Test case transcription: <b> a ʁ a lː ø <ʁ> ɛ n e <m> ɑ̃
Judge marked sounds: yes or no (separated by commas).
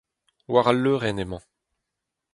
no, yes, yes